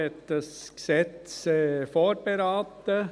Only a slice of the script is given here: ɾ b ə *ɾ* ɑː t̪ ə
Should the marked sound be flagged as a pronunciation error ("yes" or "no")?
no